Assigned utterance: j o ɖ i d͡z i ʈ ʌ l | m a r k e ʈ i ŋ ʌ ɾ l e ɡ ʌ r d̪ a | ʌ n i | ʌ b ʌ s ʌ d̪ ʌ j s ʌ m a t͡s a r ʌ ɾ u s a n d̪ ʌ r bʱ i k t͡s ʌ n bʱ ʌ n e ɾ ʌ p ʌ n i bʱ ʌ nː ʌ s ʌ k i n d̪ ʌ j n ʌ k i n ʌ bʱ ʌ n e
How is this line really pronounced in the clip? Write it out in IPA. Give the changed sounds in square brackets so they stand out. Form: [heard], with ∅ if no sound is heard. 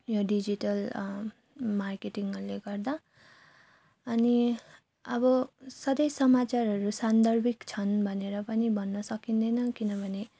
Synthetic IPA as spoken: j o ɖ i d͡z i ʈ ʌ l | m a r k e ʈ i ŋ ʌ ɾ l e ɡ ʌ r d̪ a | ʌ n i | ʌ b ʌ s ʌ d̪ ʌ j s ʌ m a t͡s a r ʌ ɾ u s a n d̪ ʌ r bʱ i k [t͡sʰ] ʌ n bʱ ʌ n e ɾ ʌ p ʌ n i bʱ ʌ nː ʌ s ʌ k i n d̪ ʌ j n ʌ k i n ʌ bʱ ʌ n e